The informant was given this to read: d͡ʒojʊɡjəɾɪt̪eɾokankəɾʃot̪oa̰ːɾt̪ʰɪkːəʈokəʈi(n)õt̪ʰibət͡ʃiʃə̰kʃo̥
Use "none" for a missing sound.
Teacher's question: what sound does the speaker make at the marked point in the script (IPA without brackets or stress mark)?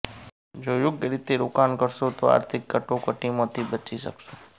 m